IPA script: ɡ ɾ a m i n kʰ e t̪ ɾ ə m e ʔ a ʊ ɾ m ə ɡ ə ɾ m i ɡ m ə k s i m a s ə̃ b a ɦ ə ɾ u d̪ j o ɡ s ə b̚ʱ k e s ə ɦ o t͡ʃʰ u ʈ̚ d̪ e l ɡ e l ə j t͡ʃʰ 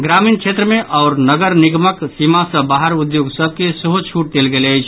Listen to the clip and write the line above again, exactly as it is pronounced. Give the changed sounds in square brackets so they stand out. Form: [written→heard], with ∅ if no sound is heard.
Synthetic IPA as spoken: ɡ ɾ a m i n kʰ e t̪ ɾ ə m e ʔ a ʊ ɾ [m→n] ə ɡ ə ɾ [m→n] i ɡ m ə k s i m a s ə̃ b a ɦ ə ɾ u d̪ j o ɡ s ə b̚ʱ k e s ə ɦ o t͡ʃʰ u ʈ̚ d̪ e l ɡ e l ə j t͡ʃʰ